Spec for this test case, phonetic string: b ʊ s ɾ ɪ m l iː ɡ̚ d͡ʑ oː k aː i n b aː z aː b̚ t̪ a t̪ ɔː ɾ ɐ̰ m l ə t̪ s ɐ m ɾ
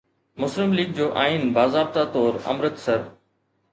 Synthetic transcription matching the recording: m ʊ s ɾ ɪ m l iː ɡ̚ d͡ʑ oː ʔ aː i n b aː z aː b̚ t̪ a t̪ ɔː ɾ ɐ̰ m ɾ ə t̪ s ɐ ɾ